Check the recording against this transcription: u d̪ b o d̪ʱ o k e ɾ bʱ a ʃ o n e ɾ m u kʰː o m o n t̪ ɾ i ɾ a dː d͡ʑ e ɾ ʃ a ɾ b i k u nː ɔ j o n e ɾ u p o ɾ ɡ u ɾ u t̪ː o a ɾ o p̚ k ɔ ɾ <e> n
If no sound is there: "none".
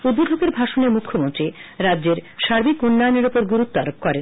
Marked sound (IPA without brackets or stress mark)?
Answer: e